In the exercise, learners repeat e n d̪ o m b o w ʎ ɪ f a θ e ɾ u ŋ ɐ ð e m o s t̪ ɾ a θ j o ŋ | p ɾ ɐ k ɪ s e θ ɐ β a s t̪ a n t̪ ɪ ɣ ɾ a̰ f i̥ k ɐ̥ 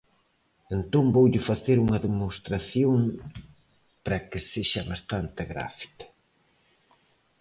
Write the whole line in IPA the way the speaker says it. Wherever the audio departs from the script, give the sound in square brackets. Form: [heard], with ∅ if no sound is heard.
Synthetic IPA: e n [t̪] o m b o w ʎ ɪ f a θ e ɾ u ŋ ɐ ð e m o s t̪ ɾ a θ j o ŋ | p ɾ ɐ k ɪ s e [ʃ] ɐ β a s t̪ a n t̪ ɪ ɣ ɾ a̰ f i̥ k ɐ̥